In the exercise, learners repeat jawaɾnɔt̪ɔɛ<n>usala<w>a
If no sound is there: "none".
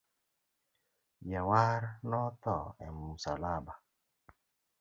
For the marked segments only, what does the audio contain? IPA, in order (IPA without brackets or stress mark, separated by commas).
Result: m, b